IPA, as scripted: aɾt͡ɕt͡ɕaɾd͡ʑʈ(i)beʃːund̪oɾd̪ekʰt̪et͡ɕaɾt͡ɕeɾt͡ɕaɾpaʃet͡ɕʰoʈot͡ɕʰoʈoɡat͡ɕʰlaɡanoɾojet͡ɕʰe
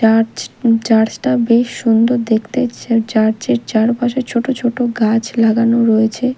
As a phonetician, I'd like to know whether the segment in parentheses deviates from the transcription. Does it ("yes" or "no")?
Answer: yes